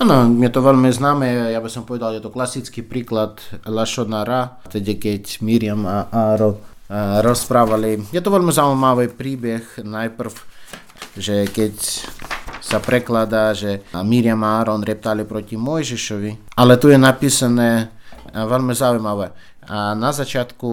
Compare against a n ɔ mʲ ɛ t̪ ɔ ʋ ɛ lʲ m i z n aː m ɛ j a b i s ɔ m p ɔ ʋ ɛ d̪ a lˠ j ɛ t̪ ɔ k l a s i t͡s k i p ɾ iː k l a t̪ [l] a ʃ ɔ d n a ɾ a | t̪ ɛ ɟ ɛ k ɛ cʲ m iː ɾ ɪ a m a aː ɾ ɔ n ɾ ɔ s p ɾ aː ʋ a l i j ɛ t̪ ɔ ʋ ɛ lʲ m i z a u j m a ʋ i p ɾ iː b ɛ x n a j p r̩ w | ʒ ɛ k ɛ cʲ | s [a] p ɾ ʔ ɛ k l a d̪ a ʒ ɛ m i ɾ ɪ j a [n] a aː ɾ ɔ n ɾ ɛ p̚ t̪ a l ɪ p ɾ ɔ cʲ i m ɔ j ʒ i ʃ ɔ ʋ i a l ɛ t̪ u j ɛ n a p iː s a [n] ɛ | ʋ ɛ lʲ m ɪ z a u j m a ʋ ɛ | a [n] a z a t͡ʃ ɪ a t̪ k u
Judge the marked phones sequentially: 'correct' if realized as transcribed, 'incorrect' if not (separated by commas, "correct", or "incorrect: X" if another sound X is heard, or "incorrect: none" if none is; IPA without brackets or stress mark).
correct, correct, incorrect: m, correct, correct